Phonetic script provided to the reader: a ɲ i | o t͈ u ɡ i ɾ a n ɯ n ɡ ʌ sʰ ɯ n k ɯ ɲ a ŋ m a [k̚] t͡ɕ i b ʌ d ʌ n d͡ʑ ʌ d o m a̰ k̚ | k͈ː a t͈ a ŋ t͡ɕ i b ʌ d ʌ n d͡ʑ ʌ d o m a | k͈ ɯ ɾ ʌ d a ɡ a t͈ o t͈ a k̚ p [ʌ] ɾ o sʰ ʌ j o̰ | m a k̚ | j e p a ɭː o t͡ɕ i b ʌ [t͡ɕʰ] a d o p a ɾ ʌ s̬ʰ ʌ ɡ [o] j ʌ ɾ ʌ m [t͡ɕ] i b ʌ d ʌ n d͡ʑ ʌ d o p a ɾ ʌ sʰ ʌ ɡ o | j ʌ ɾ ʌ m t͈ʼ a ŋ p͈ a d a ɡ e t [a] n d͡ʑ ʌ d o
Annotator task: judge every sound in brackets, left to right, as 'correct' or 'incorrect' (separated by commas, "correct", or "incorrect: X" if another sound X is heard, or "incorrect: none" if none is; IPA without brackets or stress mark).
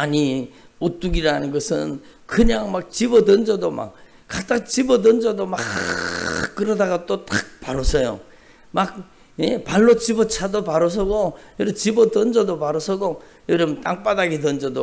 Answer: correct, incorrect: a, correct, correct, correct, incorrect: ʌ